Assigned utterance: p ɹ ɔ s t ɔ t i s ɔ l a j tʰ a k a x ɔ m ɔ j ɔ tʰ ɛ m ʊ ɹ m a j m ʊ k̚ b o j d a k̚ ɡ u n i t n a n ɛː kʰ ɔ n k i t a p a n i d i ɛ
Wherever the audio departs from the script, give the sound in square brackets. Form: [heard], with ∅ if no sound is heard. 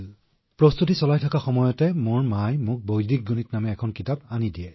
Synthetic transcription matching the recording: p ɹ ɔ s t [u] t i s ɔ l a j tʰ a k a x ɔ m ɔ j ɔ [t] ɛ m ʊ ɹ m a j m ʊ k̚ b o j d [i] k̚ ɡ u n i t n a [m] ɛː kʰ ɔ n k i t a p a n i d i ɛ